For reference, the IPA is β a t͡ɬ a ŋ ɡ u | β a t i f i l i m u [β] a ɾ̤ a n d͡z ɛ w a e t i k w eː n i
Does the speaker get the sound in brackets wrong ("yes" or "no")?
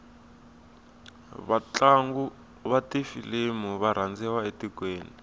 no